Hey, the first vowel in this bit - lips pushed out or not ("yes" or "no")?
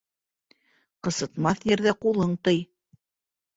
no